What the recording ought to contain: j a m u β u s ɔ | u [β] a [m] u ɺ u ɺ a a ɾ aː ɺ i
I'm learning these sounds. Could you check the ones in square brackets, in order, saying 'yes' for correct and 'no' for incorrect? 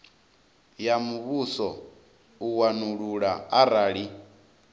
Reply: no, no

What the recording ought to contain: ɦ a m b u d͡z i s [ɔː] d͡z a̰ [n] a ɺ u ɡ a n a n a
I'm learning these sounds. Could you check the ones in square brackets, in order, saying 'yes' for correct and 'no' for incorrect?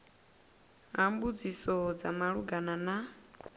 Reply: no, no

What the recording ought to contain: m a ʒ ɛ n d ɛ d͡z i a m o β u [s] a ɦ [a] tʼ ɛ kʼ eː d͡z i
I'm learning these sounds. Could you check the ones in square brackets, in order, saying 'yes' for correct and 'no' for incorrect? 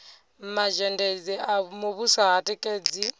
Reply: yes, yes

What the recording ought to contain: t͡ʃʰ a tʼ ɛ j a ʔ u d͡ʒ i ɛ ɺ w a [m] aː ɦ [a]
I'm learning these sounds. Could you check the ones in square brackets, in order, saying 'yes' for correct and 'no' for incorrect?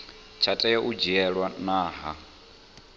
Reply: no, yes

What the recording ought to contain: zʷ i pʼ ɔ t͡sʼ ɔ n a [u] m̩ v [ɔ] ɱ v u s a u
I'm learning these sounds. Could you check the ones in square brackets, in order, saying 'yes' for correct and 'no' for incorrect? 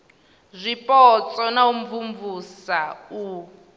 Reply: yes, no

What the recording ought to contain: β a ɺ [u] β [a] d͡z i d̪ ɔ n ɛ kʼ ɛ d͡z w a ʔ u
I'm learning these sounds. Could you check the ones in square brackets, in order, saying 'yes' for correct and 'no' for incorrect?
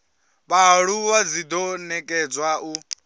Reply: yes, yes

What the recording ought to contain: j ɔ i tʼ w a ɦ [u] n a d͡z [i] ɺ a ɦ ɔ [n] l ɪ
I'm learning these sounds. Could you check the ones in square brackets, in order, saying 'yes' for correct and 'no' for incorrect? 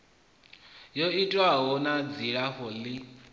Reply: no, yes, no

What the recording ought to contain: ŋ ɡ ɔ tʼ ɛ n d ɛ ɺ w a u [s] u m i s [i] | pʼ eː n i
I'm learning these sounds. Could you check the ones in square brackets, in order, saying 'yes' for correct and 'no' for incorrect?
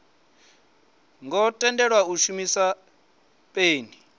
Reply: no, no

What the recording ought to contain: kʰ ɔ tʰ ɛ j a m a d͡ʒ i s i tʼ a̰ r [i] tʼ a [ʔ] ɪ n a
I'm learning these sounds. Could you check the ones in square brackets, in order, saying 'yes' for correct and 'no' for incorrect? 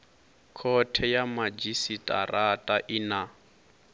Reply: no, yes

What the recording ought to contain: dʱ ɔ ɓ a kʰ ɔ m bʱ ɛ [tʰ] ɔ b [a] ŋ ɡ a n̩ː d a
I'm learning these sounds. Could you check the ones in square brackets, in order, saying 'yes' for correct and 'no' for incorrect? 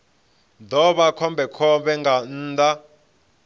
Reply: no, no

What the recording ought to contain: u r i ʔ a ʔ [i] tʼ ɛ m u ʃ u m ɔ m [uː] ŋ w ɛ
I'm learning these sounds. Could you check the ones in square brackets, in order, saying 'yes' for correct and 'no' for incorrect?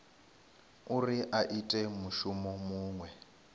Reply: yes, yes

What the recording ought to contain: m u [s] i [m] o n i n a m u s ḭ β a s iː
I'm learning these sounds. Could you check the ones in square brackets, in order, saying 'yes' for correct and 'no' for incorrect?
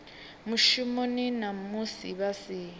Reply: no, yes

